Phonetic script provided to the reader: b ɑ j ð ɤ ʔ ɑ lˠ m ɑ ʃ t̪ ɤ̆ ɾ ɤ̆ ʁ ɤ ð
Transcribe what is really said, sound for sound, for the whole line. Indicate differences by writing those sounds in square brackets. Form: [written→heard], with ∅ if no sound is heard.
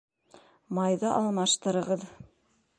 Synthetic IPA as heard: [b→m] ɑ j ð ɤ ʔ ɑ lˠ m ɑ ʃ t̪ ɤ̆ ɾ ɤ̆ ʁ ɤ ð